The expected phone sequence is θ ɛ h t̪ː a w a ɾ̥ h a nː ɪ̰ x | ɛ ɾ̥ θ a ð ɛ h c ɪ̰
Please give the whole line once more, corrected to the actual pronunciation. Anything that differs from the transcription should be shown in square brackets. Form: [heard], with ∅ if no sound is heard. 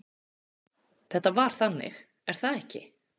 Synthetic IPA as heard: θ ɛ h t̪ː a [v] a ɾ̥ [θ] a nː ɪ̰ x | ɛ ɾ̥ θ a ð ɛ h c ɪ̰